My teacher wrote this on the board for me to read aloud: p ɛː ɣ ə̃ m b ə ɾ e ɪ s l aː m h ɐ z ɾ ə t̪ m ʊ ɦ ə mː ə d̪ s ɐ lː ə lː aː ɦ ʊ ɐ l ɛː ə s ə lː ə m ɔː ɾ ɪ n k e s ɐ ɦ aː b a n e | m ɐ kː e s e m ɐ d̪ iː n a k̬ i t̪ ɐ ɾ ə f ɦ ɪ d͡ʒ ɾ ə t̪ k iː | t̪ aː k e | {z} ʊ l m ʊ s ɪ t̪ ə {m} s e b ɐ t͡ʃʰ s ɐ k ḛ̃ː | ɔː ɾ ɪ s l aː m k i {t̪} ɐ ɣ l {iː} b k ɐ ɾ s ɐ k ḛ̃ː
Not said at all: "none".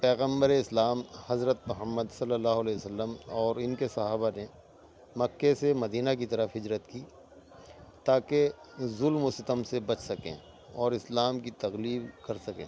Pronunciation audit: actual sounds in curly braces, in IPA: z, m, t̪, iː

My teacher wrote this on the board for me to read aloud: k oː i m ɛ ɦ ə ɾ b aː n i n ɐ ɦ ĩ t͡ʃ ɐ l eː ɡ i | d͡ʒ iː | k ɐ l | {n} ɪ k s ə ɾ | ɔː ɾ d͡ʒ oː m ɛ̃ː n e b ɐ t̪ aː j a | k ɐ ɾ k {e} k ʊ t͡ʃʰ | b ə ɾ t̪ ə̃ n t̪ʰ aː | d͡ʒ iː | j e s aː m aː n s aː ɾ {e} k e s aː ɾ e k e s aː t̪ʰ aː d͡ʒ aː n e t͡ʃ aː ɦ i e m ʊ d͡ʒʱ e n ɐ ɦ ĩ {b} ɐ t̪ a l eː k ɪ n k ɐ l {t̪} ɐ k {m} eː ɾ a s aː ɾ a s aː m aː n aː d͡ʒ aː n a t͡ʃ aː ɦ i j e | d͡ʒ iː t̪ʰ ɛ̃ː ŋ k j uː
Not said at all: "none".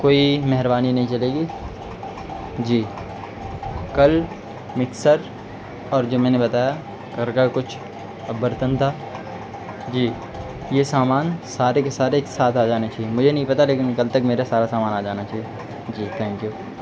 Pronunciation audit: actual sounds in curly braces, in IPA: m, a, e, p, t̪, m

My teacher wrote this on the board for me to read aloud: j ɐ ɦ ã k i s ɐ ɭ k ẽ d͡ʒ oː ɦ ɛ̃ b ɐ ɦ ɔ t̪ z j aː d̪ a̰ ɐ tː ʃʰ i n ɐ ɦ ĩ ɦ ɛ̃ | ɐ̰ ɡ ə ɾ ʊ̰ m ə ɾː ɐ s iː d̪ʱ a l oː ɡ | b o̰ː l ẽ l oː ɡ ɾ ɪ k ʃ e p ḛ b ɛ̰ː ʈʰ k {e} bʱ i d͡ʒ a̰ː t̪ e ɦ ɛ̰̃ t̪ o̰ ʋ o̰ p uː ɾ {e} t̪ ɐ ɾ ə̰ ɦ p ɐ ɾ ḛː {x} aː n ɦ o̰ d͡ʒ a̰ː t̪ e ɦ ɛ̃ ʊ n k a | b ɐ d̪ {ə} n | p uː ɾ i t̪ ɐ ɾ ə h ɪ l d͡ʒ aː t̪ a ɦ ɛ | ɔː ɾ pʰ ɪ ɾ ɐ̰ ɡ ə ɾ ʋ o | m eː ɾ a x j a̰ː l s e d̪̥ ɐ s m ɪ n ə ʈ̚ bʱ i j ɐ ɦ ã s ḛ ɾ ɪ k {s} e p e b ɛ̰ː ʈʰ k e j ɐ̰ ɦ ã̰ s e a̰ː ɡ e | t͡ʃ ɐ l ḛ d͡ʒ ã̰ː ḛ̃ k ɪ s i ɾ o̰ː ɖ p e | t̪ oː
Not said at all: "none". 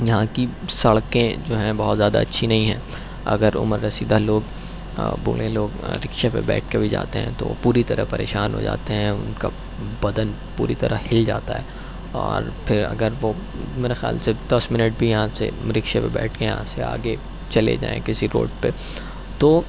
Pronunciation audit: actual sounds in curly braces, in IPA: e, i, ʃ, ə, ʃ

